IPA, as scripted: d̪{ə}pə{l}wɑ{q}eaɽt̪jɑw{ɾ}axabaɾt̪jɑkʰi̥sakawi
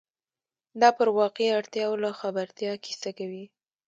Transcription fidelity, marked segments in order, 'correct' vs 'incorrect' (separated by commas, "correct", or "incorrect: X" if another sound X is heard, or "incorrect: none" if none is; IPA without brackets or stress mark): incorrect: ɑ, incorrect: ɾ, correct, incorrect: l